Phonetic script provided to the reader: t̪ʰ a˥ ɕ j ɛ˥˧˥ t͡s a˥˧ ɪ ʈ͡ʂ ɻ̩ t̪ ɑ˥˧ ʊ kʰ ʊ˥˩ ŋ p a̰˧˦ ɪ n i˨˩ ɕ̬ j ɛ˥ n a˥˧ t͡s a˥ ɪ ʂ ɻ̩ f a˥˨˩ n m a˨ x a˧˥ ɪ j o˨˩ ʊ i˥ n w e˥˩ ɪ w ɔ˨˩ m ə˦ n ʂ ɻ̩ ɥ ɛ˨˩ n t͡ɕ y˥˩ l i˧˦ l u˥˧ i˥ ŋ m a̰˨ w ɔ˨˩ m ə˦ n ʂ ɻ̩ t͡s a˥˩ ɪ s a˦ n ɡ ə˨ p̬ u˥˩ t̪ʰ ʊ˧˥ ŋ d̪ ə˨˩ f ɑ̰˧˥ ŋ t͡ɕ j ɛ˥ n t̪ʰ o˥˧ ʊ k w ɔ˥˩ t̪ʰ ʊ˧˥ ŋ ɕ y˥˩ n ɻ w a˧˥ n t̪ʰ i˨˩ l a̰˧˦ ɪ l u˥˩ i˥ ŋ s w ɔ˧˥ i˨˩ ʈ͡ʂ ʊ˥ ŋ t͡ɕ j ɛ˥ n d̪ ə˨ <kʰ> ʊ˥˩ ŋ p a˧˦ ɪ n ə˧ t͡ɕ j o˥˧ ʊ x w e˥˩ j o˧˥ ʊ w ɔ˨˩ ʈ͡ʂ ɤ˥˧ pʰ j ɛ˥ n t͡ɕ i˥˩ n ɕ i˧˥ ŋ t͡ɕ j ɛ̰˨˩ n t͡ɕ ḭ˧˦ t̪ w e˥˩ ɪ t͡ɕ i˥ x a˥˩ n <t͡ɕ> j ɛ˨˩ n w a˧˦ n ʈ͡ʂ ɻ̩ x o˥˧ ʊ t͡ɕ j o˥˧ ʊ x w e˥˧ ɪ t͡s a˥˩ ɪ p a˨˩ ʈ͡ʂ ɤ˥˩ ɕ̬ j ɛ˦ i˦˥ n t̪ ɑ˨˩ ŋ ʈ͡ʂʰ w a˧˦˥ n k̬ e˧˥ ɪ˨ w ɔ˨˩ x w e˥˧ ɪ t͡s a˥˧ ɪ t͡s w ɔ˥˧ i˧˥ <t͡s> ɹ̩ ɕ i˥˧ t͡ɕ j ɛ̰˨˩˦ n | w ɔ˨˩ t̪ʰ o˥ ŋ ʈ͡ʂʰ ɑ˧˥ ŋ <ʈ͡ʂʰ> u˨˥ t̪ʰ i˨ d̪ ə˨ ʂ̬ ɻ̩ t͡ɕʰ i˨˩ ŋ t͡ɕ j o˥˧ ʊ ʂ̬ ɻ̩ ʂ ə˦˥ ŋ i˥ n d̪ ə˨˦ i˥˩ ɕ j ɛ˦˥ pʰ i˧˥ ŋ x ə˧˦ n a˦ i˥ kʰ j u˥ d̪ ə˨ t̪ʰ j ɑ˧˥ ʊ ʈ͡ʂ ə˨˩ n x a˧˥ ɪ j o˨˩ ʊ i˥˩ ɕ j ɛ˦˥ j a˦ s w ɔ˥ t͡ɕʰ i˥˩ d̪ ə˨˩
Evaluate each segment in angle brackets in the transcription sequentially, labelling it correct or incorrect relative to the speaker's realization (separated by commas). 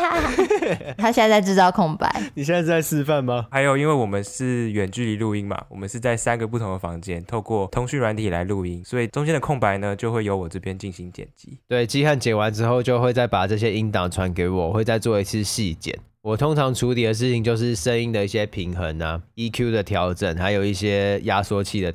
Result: correct, correct, incorrect, correct